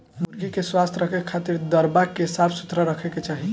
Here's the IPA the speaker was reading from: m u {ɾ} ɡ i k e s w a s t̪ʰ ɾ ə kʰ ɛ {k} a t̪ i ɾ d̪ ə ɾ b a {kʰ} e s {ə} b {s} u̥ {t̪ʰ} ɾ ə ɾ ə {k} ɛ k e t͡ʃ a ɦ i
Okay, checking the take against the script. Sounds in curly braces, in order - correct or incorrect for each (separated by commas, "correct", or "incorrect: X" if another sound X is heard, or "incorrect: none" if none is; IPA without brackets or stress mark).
correct, incorrect: kʰ, incorrect: k, incorrect: a, correct, incorrect: t̪, incorrect: kʰ